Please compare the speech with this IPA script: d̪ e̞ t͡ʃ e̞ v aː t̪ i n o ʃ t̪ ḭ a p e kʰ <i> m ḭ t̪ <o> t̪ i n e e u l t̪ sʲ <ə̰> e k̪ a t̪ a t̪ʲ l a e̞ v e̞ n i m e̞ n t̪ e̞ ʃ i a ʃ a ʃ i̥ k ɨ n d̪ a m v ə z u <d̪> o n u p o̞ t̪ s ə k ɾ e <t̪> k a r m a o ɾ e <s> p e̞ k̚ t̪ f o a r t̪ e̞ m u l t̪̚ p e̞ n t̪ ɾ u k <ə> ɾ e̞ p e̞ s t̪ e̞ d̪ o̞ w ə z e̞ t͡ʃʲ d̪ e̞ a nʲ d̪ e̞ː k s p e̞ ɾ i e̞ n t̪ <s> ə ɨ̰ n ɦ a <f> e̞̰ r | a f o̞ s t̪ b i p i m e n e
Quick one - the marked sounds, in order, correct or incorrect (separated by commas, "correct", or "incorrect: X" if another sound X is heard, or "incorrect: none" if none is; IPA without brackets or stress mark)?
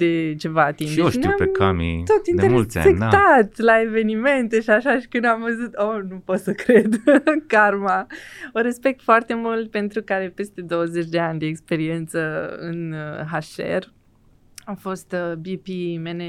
incorrect: a, correct, incorrect: a̰, incorrect: t̪, incorrect: d̪, correct, incorrect: a, correct, incorrect: ʃ